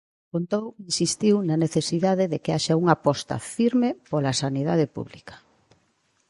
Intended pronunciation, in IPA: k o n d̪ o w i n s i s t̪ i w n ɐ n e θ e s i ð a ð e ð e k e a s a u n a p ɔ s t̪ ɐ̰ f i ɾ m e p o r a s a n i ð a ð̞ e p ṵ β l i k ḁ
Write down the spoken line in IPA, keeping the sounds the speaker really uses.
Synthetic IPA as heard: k o n t̪ o w i n s i s t̪ i w n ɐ n e θ e s i ð a ð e ð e k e a ʃ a u ŋ a p ɔ s t̪ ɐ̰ f i ɾ m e p o l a s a n i ð a ð̞ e p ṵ β l i k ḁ